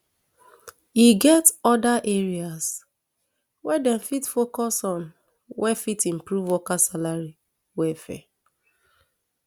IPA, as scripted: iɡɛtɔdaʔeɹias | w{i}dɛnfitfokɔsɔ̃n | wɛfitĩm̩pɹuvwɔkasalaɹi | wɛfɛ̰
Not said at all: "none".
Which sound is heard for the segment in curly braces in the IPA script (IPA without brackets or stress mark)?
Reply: ɛ